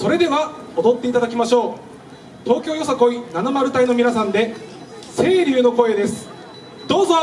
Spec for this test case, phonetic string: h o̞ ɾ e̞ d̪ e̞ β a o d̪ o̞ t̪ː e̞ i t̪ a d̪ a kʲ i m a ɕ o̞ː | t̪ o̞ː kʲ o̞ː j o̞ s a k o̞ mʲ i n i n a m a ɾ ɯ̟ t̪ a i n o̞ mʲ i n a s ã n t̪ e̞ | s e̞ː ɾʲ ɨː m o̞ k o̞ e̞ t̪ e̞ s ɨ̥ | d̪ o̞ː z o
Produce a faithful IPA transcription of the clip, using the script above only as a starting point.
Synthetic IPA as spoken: s o̞ ɾ e̞ d̪ e̞ β a o d̪ o̞ t̪ː e̞ i t̪ a d̪ a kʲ i m a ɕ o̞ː | t̪ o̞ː kʲ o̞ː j o̞ s a k o̞ i n a n a m a ɾ ɯ̟ t̪ a i n o̞ mʲ i n a s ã n d̪ e̞ | s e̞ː ɾʲ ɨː n o̞ k o̞ e̞ d̪ e̞ s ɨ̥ | d̪ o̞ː z o